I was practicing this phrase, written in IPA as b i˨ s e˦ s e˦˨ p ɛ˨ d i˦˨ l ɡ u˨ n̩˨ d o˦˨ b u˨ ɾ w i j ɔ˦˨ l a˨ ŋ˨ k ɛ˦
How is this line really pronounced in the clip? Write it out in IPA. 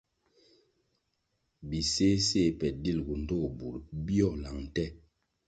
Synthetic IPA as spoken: b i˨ s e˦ s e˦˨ p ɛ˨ d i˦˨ l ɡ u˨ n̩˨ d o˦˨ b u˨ ɾ b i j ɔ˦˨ l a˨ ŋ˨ t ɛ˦